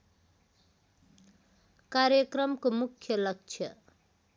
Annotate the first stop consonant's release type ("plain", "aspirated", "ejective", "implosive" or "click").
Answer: plain